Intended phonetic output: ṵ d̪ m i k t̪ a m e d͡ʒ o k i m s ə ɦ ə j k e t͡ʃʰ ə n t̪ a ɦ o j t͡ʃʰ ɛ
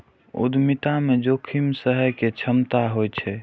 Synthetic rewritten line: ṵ d̪ m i t̪ a m e d͡ʒ o kʰ i m s ə ɦ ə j k e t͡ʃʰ ə m t̪ a ɦ o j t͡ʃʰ ɛ

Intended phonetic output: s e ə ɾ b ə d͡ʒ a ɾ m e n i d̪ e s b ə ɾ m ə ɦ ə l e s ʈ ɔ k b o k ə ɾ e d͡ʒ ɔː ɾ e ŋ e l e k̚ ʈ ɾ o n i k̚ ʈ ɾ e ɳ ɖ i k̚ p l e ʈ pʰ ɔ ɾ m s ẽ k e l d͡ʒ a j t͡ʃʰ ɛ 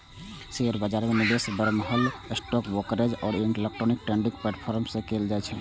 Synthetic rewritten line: s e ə ɾ b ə d͡ʒ a ɾ m e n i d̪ e s b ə ɾ m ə ɦ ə l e s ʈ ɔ k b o k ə ɾ e d͡ʒ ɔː ɾ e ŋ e l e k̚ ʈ ɾ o n i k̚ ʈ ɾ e ɳ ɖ i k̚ p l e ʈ pʰ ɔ ɾ m s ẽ k e l d͡ʒ a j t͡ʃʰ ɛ

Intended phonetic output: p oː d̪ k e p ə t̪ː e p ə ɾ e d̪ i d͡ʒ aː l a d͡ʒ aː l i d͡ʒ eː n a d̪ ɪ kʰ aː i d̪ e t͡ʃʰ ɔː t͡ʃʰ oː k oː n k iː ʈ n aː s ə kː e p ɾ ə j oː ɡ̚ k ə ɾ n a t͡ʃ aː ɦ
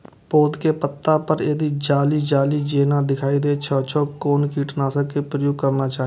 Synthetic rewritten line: p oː d̪ k e p ə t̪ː a p ə ɾ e d̪ i d͡ʒ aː l i d͡ʒ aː l i d͡ʒ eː n a d̪ ɪ kʰ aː i d̪ e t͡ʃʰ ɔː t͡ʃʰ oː k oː n k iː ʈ n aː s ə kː e p ɾ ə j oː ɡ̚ k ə ɾ n a t͡ʃ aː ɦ

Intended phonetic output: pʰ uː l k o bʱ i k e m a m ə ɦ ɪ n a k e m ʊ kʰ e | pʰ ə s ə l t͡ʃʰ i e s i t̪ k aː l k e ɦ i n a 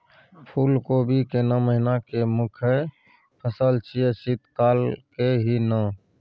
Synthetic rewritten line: pʰ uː l k o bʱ i k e n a m ə ɦ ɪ n a k e m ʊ kʰ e | pʰ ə s ə l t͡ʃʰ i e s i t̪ k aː l k e ɦ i n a

